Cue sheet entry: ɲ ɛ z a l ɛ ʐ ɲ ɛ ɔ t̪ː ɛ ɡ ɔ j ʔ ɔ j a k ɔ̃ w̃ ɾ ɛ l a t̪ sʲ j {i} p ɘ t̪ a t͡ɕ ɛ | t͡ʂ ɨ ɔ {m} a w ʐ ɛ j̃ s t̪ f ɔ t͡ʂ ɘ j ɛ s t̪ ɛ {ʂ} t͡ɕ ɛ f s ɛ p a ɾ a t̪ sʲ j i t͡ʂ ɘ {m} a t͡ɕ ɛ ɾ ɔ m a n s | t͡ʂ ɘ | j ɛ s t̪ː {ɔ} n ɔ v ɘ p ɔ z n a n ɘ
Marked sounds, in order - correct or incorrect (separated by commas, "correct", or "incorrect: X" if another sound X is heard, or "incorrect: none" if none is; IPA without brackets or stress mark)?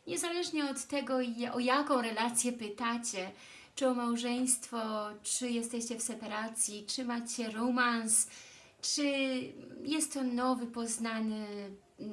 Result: incorrect: ɛ, correct, incorrect: ɕ, correct, correct